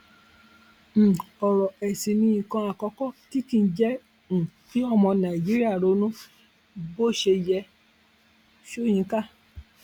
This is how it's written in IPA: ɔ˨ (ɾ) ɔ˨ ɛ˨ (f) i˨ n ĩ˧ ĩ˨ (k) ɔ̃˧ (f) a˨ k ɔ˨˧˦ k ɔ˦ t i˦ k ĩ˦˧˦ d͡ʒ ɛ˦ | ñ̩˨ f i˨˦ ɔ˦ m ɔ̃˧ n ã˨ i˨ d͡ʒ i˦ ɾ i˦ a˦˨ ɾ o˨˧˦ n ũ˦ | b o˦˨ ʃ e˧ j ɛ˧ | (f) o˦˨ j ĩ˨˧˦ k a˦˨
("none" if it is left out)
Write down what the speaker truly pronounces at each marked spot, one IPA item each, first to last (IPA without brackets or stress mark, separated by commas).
ɾ, s, k, none, ʃ